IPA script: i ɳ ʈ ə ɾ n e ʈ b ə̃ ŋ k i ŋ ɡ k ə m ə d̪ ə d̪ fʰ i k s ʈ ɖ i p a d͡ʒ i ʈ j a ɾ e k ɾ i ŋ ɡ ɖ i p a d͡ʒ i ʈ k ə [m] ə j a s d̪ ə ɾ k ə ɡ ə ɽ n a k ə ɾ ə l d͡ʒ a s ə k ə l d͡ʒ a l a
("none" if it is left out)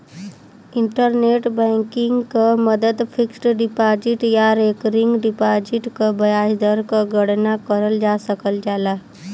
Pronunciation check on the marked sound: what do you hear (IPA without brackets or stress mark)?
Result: b